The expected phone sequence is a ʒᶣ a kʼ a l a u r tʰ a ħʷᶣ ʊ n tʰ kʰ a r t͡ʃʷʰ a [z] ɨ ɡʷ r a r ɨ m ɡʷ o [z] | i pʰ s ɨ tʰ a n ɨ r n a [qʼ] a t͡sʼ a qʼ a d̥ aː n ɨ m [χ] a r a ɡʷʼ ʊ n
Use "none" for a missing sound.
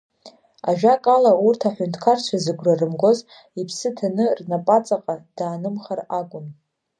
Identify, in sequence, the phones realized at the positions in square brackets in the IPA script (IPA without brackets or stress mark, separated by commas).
z, z, pʼ, χ